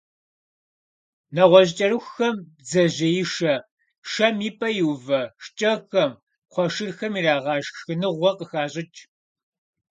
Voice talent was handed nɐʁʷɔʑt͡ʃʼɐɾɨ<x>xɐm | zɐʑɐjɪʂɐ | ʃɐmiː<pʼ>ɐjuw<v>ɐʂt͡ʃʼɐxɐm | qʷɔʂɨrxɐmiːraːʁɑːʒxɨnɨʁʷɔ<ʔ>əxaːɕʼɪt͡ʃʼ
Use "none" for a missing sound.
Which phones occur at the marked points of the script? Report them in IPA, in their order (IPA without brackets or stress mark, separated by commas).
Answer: x, pʼ, v, q